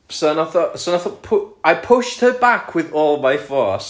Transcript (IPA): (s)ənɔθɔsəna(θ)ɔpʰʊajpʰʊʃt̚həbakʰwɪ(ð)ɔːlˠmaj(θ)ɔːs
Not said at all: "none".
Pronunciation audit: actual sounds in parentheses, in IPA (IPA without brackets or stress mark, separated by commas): s, θ, ð, f